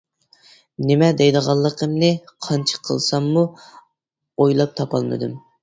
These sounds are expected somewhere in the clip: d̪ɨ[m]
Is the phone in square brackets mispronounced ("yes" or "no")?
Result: no